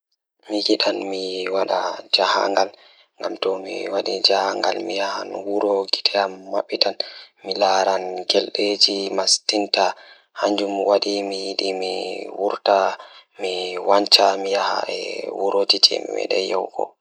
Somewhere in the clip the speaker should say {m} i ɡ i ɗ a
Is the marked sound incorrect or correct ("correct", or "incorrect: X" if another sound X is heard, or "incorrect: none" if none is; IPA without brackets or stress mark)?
correct